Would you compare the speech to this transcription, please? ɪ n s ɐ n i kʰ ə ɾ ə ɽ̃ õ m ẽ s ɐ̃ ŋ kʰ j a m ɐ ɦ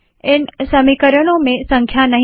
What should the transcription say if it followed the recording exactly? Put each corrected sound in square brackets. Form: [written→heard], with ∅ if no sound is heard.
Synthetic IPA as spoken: ɪ n s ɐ [n→m] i [kʰ→k] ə ɾ ə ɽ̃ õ m ẽ s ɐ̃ ŋ kʰ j a [m→n] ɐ ɦ